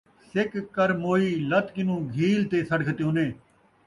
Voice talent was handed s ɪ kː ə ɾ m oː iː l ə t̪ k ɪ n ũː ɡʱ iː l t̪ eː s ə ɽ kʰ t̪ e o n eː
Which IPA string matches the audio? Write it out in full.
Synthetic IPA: s ɪ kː ə ɾ m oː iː l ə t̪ k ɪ n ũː ɡʱ iː l t̪ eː s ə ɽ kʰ t̪ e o n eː